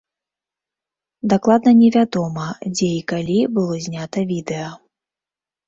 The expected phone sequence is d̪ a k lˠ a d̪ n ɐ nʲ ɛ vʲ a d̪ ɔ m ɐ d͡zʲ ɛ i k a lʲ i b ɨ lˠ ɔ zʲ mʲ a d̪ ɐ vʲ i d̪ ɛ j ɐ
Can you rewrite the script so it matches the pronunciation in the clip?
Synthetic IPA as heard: d̪ a k lˠ a d̪ n ɐ nʲ ɛ vʲ a d̪ ɔ m ɐ d͡zʲ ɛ i k a lʲ i b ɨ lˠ ɔ zʲ nʲ a t̪ ɐ vʲ i d̪ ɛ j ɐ